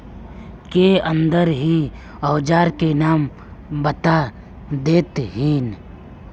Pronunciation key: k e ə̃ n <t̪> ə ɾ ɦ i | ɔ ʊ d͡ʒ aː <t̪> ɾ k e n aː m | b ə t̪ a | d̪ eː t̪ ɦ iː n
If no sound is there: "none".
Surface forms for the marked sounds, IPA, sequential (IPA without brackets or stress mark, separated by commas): d̪, none